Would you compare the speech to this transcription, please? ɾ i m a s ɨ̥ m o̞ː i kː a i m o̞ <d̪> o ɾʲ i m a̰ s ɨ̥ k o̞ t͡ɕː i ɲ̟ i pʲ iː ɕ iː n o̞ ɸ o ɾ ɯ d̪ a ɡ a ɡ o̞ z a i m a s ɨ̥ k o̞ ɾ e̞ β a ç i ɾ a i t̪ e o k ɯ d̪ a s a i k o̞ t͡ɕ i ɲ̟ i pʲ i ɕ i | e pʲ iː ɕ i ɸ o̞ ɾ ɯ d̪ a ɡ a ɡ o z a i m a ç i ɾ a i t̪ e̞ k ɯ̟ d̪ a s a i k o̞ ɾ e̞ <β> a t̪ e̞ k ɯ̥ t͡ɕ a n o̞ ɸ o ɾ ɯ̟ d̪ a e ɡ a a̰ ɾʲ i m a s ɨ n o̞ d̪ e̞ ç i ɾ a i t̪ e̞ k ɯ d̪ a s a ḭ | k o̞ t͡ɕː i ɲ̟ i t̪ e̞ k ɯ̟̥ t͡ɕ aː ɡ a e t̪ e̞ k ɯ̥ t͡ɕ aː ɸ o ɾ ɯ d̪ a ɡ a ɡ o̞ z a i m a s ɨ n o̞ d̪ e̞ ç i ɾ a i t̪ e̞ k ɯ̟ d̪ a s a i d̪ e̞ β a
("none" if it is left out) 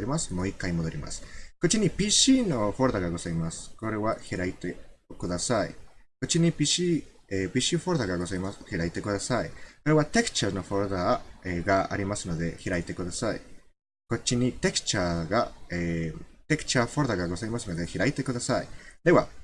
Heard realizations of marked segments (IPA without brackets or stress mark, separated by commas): d̪, β